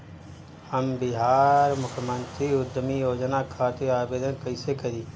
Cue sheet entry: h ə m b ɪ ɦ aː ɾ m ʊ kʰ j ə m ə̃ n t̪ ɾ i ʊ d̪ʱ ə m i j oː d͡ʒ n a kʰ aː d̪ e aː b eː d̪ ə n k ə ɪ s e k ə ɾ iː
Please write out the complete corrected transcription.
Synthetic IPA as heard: h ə m b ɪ ɦ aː ɾ m ʊ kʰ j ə m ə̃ n t̪ ɾ i ʊ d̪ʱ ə m i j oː d͡ʒ n a kʰ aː t̪ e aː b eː d̪ ə n k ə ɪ s e k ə ɾ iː